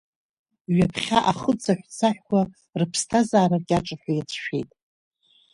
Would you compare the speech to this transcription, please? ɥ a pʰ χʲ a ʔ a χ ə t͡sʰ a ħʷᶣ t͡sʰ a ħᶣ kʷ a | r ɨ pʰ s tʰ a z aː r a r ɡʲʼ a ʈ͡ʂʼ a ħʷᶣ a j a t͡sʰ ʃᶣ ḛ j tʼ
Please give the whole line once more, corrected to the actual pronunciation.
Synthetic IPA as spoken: ɥ a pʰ χʲ a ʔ a χ ə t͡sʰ a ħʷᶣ t͡sʰ a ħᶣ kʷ a | r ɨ pʰ s tʰ a z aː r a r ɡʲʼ a ʈ͡ʂʼ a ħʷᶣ a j a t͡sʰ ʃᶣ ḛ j tʼ

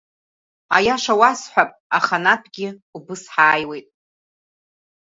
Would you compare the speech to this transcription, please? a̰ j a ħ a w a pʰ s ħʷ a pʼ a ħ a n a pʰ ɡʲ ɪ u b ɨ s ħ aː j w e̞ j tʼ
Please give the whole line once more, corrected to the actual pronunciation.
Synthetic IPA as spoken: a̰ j a ʂ a w a s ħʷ a pʼ a χ a n a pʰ ɡʲ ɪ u b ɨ s ħ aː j w e̞ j tʼ

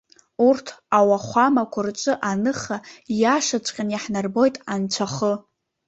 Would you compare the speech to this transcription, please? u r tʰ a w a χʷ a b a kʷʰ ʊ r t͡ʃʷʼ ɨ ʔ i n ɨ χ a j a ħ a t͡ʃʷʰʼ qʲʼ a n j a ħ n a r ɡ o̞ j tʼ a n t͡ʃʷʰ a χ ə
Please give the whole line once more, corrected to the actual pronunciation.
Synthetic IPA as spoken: u r tʰ a w a χʷ a m a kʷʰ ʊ r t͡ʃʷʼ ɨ ʔ a n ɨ χ a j a ʂ a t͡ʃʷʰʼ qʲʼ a n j a ħ n a r b o̞ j tʼ a n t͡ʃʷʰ a χ ə

